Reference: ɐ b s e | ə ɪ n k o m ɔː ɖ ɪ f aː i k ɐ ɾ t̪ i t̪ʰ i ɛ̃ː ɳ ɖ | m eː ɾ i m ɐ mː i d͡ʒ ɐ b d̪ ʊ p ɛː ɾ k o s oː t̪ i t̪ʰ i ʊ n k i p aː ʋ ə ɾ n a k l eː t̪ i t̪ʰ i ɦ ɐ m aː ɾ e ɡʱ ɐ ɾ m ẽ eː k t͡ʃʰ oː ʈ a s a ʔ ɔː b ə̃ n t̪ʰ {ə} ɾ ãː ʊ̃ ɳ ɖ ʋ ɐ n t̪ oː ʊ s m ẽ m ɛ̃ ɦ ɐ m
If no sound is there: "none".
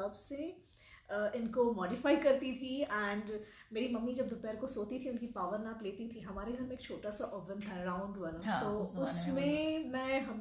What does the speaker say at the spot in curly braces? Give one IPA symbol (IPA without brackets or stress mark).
a